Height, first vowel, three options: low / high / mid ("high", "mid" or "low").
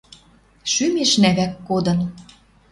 high